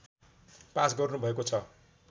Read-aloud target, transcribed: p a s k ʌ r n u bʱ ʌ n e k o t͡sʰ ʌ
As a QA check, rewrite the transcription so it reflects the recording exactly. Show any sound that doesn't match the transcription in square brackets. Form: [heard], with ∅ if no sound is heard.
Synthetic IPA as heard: p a s [ɡ] ʌ r n u bʱ ʌ [∅] e k o t͡sʰ ʌ